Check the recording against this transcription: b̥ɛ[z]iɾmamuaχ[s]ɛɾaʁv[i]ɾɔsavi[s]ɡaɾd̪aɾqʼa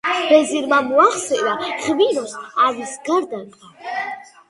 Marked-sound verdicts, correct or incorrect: correct, correct, correct, correct

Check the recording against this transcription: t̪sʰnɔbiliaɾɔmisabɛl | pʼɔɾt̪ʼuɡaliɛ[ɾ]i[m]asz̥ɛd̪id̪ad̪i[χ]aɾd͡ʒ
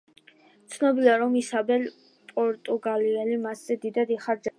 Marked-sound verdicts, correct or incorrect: incorrect, correct, correct

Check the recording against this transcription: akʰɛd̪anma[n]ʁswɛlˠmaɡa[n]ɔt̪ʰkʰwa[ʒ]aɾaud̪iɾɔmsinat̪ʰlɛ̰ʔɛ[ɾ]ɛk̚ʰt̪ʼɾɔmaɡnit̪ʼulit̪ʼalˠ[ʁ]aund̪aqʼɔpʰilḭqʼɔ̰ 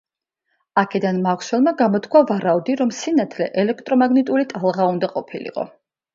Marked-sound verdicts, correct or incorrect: incorrect, incorrect, incorrect, incorrect, correct

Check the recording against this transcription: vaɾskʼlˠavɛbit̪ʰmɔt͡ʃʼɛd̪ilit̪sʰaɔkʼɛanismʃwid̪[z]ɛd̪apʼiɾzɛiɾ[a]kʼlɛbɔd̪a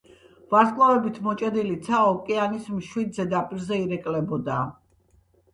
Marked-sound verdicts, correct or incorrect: correct, incorrect

